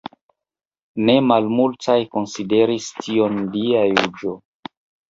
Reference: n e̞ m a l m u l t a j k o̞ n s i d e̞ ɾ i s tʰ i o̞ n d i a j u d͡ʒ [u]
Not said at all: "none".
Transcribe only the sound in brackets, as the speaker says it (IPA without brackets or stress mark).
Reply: o